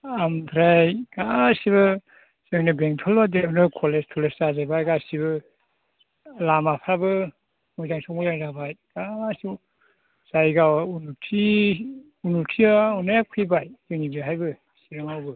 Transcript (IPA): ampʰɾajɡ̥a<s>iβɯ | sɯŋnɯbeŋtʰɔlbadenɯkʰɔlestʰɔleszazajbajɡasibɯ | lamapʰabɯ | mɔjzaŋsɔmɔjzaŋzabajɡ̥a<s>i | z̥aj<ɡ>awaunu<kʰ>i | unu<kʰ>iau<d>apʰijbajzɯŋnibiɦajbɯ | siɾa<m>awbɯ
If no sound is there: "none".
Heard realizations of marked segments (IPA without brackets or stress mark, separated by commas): s, s, ɡ, tʰ, tʰ, n, ŋ